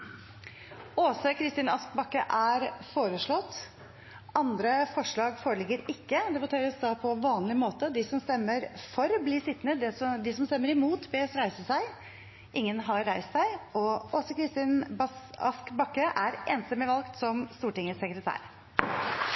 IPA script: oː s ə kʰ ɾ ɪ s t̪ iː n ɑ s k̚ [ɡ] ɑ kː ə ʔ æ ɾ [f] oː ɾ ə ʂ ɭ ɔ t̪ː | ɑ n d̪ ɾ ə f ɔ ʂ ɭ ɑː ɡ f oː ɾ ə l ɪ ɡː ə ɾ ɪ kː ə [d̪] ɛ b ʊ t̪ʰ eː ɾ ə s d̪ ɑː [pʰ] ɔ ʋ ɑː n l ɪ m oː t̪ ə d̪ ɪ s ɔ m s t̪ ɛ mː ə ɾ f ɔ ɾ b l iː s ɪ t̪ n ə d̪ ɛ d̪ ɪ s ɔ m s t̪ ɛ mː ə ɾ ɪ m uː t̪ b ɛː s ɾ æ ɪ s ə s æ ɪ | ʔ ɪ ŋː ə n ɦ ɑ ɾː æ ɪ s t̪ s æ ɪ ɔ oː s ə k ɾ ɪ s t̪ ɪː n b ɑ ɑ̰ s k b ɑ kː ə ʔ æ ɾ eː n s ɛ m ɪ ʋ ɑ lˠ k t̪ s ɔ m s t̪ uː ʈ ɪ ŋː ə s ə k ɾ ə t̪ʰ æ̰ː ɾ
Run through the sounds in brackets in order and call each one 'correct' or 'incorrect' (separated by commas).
incorrect, correct, correct, correct